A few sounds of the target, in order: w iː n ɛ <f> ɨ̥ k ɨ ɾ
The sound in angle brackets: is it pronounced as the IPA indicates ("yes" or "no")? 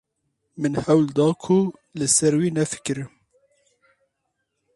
yes